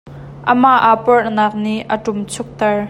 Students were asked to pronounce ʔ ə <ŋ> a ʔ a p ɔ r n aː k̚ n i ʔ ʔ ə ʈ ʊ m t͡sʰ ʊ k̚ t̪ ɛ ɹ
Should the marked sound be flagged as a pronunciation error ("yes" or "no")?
yes